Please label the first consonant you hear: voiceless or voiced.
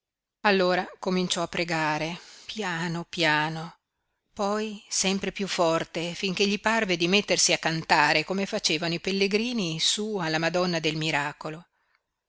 voiced